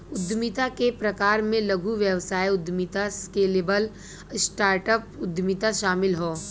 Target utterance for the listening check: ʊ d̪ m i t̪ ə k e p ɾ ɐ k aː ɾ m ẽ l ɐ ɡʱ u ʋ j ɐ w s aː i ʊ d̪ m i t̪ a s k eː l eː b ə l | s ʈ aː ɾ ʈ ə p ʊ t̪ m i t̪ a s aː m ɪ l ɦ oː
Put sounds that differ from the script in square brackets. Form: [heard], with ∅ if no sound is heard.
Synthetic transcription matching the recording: ʊ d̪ m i t̪ [a] k e p ɾ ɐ k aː ɾ m ẽ l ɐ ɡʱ u ʋ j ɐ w s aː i ʊ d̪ m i t̪ a s k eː l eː b ə l | s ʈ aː ɾ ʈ ə p ʊ [d̪] m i t̪ a [ʃ] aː m ɪ l ɦ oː

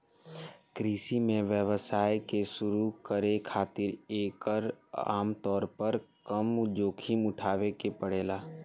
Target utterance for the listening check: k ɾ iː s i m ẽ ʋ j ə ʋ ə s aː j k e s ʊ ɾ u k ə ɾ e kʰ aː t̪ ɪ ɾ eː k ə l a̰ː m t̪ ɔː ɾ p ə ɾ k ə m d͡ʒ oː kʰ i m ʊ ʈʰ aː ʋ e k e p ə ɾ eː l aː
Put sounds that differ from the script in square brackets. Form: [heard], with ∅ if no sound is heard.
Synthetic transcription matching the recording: k ɾ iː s i m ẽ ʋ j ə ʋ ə s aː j k e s ʊ ɾ u k ə ɾ e kʰ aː t̪ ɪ ɾ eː k ə [ɾ] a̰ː m t̪ ɔː ɾ p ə ɾ k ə m d͡ʒ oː kʰ i m ʊ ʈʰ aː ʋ e k e p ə [ɽ] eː l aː

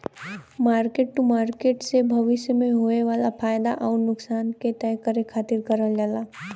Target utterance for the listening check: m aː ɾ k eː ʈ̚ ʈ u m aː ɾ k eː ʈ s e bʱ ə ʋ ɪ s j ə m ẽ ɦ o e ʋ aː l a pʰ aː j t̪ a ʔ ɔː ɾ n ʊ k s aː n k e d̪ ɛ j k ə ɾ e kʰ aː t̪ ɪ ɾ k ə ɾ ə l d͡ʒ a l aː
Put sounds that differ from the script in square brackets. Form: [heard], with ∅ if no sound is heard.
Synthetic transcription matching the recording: m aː ɾ k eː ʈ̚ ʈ u m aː ɾ k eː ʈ s e bʱ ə ʋ ɪ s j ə m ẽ ɦ o e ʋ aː l a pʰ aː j [d̪] a ʔ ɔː ɾ n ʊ k s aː n k e [t̪] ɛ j k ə ɾ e kʰ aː t̪ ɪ ɾ k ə ɾ ə l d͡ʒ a l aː

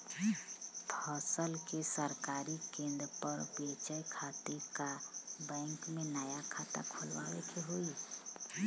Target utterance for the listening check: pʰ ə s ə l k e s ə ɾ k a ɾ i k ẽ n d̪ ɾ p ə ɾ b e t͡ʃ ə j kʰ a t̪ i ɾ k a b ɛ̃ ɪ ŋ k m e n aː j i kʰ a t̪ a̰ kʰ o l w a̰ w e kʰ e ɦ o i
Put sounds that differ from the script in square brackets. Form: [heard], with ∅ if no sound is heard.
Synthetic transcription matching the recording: pʰ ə s ə l k e s ə ɾ k a ɾ i k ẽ n d̪ ɾ p ə ɾ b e t͡ʃ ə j kʰ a t̪ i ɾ k a b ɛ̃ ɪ ŋ k m e n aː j [a] kʰ a t̪ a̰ kʰ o l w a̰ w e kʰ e ɦ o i

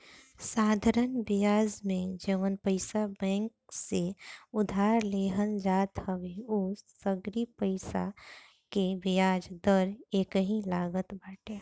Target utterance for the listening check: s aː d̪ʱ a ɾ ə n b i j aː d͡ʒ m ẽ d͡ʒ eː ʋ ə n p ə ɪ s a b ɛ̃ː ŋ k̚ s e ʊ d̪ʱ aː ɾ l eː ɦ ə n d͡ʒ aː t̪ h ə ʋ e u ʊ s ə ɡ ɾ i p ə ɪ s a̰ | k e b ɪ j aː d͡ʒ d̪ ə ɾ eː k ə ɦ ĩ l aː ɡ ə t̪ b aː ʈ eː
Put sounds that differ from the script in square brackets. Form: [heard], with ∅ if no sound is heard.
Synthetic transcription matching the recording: s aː d̪ʱ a ɾ ə n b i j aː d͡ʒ m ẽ d͡ʒ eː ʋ ə n p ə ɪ s a b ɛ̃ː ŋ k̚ s e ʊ d̪ʱ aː ɾ l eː ɦ ə n d͡ʒ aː t̪ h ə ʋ e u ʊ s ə ɡ ɾ i p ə ɪ s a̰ | k e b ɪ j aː d͡ʒ d̪ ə ɾ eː k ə ɦ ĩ l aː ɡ ə t̪ b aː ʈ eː

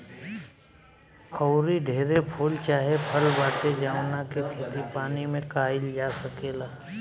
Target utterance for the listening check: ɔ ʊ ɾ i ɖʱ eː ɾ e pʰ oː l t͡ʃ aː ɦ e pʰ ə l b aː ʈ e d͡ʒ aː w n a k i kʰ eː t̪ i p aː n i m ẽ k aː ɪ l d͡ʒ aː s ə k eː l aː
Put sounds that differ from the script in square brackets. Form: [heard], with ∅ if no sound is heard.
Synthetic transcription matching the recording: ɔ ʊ ɾ i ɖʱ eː ɾ e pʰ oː l t͡ʃ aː ɦ e pʰ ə l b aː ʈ e d͡ʒ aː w n a k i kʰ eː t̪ i p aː n i m ẽ k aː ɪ l d͡ʒ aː s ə k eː l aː

